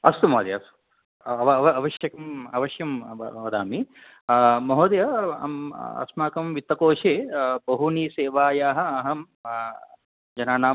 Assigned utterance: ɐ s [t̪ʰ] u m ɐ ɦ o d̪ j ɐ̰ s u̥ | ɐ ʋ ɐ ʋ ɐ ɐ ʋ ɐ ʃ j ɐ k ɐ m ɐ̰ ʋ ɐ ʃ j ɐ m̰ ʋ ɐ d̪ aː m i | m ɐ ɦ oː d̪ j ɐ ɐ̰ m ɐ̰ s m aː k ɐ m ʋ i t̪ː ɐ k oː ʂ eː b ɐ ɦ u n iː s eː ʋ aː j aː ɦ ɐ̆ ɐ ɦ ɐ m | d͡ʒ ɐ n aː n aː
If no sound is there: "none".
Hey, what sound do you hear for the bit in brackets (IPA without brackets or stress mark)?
t̪